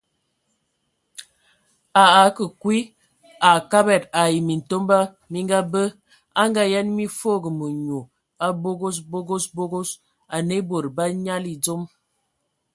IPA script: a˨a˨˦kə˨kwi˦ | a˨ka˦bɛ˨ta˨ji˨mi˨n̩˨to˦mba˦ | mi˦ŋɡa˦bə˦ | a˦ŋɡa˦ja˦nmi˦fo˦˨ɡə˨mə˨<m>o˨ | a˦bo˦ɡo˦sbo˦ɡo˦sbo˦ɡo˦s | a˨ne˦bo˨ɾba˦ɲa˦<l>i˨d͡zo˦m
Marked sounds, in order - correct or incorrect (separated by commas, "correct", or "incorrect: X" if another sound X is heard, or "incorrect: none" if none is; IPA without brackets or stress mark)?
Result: incorrect: ɲ, correct